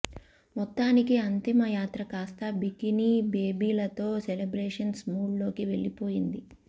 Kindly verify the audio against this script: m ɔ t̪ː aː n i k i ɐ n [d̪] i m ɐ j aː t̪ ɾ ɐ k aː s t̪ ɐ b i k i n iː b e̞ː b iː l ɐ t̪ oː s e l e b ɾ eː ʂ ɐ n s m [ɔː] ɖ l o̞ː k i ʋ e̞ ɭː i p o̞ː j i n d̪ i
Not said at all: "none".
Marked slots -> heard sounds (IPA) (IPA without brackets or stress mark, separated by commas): t̪, uː